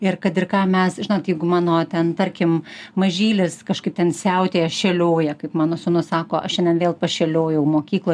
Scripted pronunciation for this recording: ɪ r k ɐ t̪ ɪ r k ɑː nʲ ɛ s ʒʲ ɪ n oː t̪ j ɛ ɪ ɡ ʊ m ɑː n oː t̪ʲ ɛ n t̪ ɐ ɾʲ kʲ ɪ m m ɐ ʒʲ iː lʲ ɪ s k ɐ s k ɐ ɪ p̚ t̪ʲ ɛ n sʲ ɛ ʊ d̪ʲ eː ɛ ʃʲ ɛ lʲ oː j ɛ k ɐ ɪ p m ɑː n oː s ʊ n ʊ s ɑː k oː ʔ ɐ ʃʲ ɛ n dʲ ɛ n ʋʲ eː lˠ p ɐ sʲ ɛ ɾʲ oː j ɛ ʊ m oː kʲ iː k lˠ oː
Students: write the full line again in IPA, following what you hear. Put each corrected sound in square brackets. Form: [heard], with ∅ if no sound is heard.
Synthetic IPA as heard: ɪ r k ɐ t̪ ɪ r k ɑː [mʲ] ɛ s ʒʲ ɪ n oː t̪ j ɛ ɪ ɡ ʊ m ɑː n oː t̪ʲ ɛ n t̪ ɐ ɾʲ kʲ ɪ m m ɐ ʒʲ iː lʲ ɪ s k ɐ [ʃ] k ɐ ɪ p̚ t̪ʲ ɛ n sʲ ɛ ʊ [t̪ʲ] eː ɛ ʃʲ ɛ lʲ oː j ɛ k ɐ ɪ p m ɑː n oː s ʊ n ʊ s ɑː k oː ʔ ɐ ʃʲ ɛ n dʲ ɛ n ʋʲ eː lˠ p ɐ [ʃʲ] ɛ [lʲ] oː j ɛ ʊ m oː kʲ iː k lˠ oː